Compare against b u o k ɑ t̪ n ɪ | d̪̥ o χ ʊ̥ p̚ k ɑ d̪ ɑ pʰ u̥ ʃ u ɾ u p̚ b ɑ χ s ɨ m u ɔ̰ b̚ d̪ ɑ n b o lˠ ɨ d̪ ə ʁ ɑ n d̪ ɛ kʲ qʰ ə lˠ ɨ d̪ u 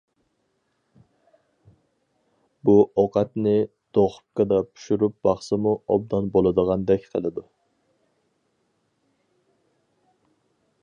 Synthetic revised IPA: b u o q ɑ t̪ n ɪ | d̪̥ o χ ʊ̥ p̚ k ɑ d̪ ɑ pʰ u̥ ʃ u ɾ u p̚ b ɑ χ s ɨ m u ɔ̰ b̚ d̪ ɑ n b o lˠ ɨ d̪ ə ʁ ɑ n d̪ ɛ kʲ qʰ ə lˠ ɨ d̪ u